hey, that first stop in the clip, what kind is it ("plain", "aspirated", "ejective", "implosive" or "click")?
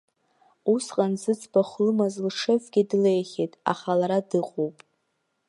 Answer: ejective